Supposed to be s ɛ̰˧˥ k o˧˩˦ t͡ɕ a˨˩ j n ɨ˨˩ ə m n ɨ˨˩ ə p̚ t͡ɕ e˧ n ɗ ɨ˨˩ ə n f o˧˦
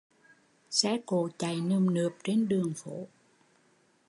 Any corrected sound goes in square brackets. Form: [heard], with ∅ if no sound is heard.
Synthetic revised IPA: s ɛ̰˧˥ k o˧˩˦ t͡ɕ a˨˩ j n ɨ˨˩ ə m n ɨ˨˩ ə p̚ t͡ɕ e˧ n ɗ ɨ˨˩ ə [ŋ] f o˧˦